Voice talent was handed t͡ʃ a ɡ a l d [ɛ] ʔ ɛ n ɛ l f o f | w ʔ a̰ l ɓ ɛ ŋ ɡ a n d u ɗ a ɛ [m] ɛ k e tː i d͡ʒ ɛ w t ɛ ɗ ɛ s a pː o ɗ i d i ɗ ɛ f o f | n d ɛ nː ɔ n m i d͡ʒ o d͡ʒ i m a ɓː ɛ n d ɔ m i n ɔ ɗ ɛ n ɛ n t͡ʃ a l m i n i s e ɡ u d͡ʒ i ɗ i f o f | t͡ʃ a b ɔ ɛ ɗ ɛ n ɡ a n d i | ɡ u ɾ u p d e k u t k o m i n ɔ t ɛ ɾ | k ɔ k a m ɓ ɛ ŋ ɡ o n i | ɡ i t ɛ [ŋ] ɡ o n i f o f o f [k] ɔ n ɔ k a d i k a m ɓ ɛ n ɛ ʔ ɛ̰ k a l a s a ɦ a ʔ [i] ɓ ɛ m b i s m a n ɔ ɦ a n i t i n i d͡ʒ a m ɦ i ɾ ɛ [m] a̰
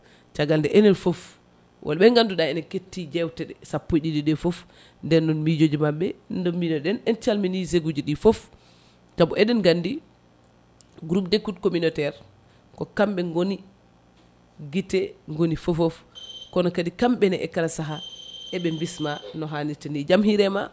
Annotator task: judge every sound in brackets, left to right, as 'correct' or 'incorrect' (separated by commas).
correct, incorrect, correct, correct, incorrect, correct